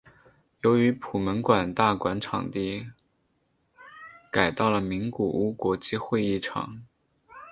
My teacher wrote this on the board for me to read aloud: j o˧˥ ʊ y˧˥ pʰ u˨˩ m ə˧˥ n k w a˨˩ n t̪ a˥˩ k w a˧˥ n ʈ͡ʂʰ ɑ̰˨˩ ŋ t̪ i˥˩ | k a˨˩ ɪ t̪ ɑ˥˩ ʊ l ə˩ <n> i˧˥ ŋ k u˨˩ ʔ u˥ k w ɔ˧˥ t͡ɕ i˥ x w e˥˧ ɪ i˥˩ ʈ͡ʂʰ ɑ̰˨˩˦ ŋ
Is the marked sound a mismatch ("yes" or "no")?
yes